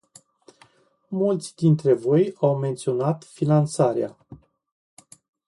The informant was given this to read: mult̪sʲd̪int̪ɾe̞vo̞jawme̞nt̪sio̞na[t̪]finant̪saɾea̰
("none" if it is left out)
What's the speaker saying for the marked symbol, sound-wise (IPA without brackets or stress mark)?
t̪